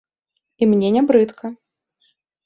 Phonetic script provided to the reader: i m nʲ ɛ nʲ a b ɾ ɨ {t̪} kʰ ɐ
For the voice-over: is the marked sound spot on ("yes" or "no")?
yes